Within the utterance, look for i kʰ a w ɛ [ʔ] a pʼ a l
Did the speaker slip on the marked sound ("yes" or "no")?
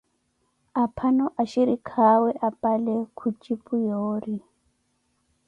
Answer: no